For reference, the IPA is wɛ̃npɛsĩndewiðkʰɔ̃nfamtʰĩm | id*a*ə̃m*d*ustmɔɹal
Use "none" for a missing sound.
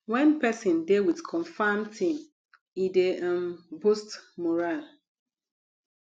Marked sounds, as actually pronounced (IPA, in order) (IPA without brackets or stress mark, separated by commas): e, b